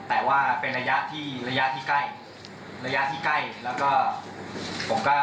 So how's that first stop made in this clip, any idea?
plain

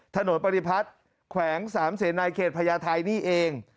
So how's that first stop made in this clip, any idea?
aspirated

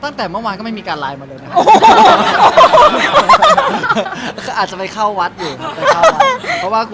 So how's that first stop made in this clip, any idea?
plain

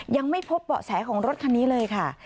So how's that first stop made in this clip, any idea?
aspirated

